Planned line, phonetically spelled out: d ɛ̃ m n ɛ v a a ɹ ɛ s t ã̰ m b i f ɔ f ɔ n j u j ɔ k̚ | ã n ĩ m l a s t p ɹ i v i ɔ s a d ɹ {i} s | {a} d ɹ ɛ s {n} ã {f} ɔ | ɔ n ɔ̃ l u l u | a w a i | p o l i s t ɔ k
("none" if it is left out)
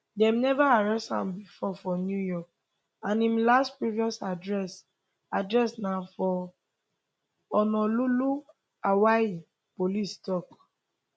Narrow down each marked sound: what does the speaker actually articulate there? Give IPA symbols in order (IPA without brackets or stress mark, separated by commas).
ɛ, a, n, f